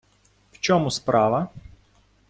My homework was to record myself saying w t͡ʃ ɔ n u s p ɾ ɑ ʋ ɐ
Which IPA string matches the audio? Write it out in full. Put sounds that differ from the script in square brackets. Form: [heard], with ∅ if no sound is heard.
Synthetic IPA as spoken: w t͡ʃ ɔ [m] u s p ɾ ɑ ʋ ɐ